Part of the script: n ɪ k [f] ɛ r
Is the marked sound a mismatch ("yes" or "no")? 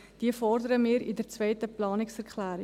yes